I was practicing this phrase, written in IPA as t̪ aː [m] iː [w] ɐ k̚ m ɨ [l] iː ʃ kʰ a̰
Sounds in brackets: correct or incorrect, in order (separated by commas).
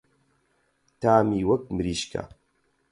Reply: correct, correct, incorrect